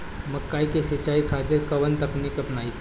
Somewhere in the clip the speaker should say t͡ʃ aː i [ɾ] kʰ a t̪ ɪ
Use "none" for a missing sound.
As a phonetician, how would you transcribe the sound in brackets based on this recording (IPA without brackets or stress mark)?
none